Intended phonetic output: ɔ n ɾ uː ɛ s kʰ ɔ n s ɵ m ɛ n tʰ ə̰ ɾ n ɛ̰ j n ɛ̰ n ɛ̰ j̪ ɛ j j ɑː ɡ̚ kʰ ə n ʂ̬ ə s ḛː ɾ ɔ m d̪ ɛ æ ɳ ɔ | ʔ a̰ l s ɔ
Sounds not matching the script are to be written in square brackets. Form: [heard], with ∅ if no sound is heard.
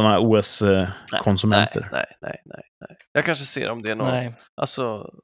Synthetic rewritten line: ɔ n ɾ uː ɛ s kʰ ɔ n s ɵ m ɛ n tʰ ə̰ ɾ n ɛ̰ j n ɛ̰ n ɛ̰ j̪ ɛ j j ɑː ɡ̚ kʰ [a] n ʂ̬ ə s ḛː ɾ ɔ m d̪ ɛ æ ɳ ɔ | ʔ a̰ l s ɔ